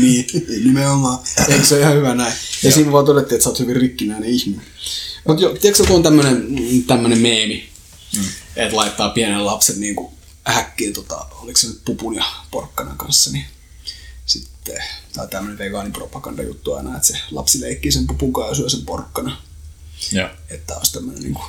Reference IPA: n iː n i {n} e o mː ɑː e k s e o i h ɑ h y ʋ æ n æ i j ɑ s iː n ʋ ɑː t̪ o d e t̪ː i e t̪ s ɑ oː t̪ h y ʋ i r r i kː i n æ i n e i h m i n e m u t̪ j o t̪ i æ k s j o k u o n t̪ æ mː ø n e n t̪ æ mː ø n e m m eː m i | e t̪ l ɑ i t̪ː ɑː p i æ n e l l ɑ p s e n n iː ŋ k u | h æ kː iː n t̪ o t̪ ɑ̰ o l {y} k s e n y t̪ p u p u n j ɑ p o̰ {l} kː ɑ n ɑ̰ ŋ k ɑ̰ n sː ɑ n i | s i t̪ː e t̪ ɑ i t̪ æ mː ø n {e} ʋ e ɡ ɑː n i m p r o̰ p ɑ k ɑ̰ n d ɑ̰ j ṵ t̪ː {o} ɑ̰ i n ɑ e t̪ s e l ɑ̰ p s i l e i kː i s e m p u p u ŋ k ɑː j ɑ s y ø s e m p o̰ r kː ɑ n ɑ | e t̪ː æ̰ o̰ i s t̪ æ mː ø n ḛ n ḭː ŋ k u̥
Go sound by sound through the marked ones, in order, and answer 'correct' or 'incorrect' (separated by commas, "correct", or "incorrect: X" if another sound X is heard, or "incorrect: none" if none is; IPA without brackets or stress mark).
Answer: incorrect: m, incorrect: i, incorrect: r, correct, incorrect: u